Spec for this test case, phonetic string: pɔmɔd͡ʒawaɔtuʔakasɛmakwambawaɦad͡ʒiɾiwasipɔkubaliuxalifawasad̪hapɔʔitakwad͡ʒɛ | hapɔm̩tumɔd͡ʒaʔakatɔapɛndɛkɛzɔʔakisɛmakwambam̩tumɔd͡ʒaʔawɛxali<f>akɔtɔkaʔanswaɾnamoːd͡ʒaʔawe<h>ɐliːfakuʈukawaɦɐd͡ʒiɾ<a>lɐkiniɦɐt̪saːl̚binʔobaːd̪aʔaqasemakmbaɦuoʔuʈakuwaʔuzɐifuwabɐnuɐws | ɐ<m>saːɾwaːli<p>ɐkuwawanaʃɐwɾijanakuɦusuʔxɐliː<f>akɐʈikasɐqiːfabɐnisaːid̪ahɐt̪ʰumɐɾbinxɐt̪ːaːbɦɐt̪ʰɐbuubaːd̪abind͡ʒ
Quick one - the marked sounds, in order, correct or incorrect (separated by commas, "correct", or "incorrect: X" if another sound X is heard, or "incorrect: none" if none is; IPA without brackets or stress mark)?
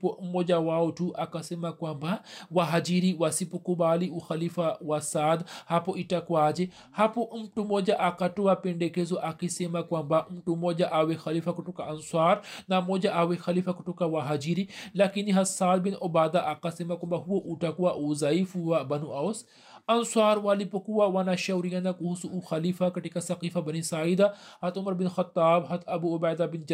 correct, incorrect: x, incorrect: i, incorrect: n, correct, correct